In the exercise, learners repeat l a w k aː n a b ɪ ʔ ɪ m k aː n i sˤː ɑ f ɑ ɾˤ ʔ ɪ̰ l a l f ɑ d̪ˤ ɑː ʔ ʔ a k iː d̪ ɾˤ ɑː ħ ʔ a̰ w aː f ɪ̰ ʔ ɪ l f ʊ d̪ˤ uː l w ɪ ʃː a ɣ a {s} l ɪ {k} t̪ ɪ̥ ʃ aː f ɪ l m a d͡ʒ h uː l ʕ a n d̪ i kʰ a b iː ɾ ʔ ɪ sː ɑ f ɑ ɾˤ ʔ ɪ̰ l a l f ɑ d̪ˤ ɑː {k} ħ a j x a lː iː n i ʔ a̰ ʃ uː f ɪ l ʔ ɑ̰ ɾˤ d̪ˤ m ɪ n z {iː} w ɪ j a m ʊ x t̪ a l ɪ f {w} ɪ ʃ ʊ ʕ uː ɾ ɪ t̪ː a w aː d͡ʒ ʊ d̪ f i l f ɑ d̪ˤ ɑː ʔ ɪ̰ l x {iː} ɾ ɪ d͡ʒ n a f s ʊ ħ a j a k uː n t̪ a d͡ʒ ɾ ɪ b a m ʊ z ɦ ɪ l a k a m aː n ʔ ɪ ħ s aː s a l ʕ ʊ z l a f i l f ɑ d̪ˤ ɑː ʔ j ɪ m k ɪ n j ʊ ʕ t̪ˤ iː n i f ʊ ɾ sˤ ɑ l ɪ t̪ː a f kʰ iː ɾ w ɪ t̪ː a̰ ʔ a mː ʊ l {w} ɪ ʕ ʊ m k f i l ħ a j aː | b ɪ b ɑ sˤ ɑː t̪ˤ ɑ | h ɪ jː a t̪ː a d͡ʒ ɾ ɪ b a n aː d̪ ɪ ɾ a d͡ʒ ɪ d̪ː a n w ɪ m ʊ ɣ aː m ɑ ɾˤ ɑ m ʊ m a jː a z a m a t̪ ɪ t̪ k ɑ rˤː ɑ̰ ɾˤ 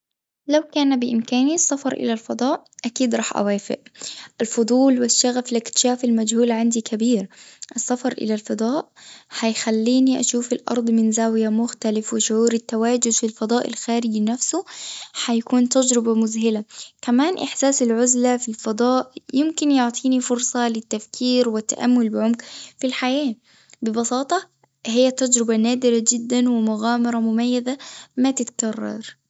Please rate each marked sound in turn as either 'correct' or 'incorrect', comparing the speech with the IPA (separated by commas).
incorrect, correct, incorrect, incorrect, correct, incorrect, incorrect